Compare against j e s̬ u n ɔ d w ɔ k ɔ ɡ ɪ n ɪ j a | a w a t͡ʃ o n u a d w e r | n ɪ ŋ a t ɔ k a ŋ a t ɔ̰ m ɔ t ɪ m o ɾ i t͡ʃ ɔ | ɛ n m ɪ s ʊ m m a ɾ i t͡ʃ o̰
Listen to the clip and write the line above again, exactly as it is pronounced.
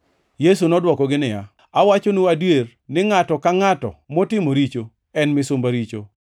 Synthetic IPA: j e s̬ u n ɔ d w ɔ k ɔ ɡ ɪ n ɪ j a | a w a t͡ʃ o n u a d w e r | n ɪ ŋ a t ɔ k a ŋ a t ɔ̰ m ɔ t ɪ m o ɾ i t͡ʃ o | ɛ n m ɪ s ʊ m b a ɾ i t͡ʃ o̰